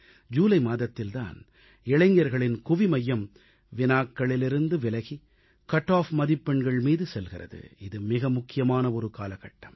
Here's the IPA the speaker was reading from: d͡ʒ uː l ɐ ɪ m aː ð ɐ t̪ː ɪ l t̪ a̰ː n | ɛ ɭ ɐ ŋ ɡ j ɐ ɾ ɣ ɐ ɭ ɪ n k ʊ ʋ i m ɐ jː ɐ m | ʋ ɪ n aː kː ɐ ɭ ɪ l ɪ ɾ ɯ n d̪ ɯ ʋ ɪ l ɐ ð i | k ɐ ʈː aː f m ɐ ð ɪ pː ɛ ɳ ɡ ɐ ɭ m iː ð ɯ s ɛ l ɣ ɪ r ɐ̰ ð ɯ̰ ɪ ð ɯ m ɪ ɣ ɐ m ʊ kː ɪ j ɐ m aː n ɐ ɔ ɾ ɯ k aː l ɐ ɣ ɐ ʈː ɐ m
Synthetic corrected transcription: d͡ʒ uː l ɐ ɪ m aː ð ɐ t̪ː ɪ l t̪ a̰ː n | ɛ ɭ ɐ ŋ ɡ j ɐ ɾ ɣ ɐ ɭ ɪ n k ʊ ʋ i m ɐ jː ɐ m | ʋ ɪ n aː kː ɐ ɭ ɪ l ɪ ɾ ɯ n d̪ ɯ ʋ ɪ l ɐ ɣ i | k ɐ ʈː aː f m ɐ ð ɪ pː ɛ ɳ ɡ ɐ ɭ m iː ð ɯ s ɛ l ɣ ɪ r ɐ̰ ð ɯ̰ ɪ ð ɯ m ɪ ɣ ɐ m ʊ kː ɪ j ɐ m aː n ɐ ɔ ɾ ɯ k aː l ɐ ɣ ɐ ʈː ɐ m